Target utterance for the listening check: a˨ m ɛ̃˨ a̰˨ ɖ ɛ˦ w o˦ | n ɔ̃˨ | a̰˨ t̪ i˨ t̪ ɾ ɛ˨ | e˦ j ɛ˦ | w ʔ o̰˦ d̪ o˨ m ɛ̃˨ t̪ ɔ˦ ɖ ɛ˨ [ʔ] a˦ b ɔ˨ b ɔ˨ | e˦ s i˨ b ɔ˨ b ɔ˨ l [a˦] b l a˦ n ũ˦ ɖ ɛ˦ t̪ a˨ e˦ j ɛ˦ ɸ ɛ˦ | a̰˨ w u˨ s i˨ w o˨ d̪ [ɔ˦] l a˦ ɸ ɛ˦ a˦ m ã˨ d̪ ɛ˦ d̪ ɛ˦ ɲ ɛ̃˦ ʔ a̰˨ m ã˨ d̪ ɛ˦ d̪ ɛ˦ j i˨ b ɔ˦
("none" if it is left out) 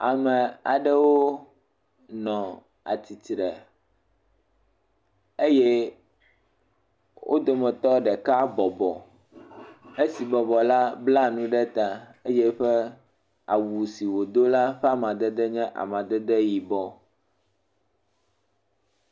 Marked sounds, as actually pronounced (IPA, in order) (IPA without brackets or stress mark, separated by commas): k, a˦, o˦